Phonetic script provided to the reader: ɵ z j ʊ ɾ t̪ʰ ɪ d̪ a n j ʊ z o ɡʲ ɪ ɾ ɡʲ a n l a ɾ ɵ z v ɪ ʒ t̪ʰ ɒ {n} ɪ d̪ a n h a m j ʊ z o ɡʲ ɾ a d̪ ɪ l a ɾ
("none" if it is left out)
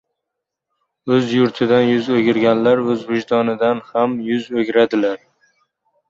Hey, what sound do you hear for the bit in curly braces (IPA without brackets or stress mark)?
n